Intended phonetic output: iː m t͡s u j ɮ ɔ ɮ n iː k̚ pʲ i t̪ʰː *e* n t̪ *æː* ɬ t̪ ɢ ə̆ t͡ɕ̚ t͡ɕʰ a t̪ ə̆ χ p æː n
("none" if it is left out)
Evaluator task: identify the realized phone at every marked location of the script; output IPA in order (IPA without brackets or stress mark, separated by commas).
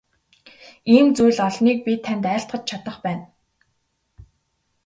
æ, æː